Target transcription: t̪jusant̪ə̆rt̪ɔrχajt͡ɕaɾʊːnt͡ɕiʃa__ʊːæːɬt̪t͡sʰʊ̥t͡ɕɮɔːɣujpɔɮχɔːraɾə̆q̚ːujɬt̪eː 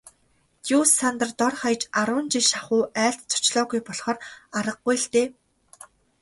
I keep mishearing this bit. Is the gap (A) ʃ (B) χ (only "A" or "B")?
B